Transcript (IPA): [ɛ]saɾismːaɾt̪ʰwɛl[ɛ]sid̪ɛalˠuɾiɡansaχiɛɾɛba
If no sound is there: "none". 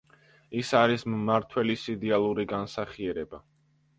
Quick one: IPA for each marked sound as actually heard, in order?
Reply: i, i

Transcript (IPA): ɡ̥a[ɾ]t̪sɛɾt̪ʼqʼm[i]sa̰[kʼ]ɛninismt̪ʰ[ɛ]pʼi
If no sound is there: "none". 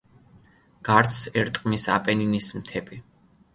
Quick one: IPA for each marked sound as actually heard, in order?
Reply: ɾ, i, pʼ, ɛ

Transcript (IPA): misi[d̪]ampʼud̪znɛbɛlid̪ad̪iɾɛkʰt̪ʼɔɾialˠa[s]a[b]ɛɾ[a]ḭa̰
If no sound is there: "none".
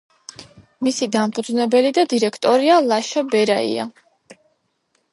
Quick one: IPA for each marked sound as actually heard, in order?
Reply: d̪, ʃ, b, a

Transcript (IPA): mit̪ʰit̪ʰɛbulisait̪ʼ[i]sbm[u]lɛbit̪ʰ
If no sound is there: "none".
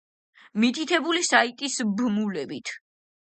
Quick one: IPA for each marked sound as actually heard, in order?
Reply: i, u

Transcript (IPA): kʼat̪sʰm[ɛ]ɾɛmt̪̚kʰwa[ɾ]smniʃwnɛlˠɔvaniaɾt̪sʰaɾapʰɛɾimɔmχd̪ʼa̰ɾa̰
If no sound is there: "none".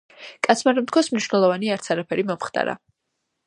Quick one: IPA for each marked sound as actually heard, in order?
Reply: a, none

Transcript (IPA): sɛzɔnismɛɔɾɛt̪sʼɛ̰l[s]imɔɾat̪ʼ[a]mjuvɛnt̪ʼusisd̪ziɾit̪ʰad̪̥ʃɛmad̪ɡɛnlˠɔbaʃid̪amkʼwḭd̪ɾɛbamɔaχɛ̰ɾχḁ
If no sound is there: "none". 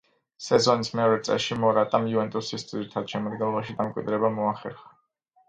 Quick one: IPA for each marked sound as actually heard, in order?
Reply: ʃ, a

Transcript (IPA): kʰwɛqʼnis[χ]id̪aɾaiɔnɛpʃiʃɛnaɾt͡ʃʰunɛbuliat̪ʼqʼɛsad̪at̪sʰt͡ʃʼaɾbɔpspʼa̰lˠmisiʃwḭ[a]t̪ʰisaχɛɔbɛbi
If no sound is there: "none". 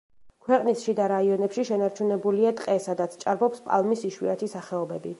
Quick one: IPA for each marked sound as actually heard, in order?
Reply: ʃ, a

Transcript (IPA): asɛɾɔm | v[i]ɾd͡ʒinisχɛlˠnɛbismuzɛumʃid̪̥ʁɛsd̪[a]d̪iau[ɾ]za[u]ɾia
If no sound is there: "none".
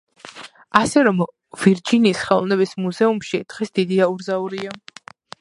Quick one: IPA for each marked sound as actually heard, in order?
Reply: i, i, ɾ, u

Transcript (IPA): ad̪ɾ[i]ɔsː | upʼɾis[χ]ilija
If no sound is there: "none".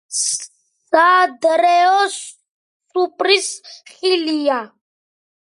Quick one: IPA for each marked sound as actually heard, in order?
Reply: ɛ, χ

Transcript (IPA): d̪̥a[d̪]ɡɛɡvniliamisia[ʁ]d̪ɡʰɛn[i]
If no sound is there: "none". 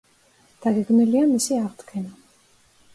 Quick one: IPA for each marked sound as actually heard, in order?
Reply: none, ʁ, a

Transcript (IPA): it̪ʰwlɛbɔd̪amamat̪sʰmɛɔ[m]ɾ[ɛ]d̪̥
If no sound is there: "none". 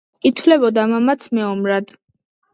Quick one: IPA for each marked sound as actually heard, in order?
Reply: m, a

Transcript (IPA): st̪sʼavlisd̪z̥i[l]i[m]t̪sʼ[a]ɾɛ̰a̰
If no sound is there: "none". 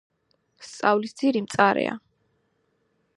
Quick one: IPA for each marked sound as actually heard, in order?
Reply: ɾ, m, a

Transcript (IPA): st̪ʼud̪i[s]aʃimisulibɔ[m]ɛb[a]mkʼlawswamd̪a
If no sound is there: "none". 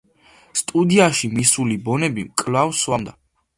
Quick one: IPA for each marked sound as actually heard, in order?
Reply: none, n, i

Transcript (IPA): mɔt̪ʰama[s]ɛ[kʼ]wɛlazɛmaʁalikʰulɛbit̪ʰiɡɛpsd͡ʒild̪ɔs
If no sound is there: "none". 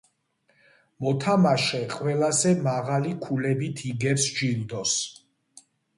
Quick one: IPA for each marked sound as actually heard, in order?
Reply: ʃ, qʼ

